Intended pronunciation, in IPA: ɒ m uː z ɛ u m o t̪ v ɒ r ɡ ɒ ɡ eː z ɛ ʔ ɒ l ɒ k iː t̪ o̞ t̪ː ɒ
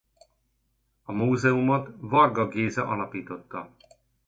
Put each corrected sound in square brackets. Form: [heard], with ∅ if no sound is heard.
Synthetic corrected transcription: ɒ m uː z ɛ u m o t̪ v ɒ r ɡ ɒ ɡ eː z ɛ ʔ ɒ l ɒ [p] iː t̪ o̞ t̪ː ɒ